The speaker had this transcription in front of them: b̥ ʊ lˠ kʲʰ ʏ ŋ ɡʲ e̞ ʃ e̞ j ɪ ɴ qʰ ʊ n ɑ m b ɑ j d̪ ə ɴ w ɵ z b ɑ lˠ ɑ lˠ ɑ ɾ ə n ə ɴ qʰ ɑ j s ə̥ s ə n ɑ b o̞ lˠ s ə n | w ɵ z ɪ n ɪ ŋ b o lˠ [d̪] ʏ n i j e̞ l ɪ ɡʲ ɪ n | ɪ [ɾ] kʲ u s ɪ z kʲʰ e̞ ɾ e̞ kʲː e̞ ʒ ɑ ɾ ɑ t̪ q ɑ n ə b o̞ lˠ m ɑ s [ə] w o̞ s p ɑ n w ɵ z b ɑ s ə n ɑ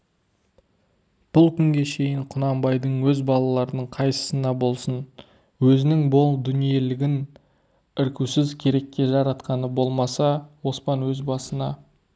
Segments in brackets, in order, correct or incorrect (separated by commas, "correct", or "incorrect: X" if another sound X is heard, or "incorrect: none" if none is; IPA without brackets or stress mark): correct, correct, incorrect: ɑ